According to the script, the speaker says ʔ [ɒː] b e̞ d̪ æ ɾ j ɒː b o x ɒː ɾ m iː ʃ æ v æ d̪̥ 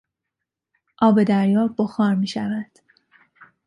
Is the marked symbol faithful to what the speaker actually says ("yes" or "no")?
yes